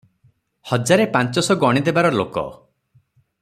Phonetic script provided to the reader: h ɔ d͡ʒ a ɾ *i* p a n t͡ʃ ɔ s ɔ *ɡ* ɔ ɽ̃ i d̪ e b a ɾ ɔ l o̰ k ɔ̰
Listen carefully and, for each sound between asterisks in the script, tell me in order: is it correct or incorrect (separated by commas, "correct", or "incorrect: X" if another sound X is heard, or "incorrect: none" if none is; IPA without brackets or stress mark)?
incorrect: e, correct